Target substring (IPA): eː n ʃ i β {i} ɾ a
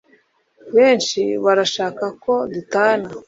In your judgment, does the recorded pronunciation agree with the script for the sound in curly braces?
no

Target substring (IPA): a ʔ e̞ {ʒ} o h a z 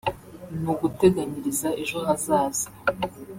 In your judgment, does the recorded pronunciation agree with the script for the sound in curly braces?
yes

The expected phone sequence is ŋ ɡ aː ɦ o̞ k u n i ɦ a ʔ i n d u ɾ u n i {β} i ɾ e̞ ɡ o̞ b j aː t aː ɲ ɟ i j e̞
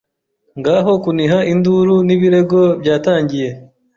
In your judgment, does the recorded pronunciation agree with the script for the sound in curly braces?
yes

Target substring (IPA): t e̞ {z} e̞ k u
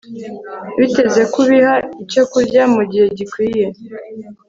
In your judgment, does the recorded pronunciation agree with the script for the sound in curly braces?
yes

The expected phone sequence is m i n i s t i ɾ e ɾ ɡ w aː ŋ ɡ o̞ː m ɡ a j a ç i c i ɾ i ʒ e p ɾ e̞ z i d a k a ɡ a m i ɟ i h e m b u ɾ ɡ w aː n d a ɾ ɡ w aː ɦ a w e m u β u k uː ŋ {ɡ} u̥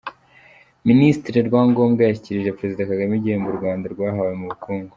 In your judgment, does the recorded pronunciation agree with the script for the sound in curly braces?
yes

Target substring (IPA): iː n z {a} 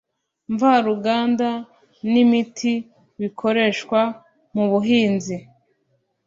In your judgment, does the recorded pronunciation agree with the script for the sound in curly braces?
no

